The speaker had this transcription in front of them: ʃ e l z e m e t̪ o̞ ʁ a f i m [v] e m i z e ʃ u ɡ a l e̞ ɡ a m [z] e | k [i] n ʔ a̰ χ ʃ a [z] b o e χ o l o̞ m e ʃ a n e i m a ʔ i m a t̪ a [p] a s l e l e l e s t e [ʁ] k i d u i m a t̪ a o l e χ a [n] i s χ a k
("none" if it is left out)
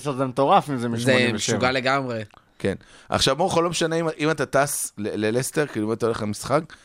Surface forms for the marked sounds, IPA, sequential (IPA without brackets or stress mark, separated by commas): z, ʁ, e, v, t, ʁ, m